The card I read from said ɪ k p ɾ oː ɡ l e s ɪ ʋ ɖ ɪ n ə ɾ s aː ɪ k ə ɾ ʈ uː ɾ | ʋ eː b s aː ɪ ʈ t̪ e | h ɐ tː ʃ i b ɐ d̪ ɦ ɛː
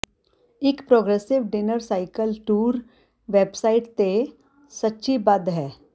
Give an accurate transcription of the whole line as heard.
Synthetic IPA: ɪ k p ɾ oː ɡ ɾ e s ɪ ʋ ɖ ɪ n ə ɾ s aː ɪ k ə l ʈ uː ɾ | ʋ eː b s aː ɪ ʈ t̪ e | s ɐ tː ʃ i b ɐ d̪ ɦ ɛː